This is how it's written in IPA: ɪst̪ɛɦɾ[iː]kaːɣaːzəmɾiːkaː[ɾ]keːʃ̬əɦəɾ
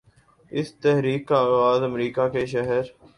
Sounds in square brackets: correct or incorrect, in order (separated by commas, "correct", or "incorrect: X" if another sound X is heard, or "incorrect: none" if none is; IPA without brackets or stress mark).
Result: correct, incorrect: none